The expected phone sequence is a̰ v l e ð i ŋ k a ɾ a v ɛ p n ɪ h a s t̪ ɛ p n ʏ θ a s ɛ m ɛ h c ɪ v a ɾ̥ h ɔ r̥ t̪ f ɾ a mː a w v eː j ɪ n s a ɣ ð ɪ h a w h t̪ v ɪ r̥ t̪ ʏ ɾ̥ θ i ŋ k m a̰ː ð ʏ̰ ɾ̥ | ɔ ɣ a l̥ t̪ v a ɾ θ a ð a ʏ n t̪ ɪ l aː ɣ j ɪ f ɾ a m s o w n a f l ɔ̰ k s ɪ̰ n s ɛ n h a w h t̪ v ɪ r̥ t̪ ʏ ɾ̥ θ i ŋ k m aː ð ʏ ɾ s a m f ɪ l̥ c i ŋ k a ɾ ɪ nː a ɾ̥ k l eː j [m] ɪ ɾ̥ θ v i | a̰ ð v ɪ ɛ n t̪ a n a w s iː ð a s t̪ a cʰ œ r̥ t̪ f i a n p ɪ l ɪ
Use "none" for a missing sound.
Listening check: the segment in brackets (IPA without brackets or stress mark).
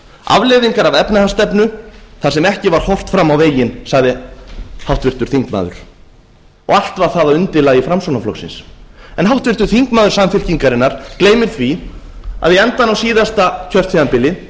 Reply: m